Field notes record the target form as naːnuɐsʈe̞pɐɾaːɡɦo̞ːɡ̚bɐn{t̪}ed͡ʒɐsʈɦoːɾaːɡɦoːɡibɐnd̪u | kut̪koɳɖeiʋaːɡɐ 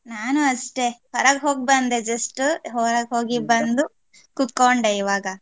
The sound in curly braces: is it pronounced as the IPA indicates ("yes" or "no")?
no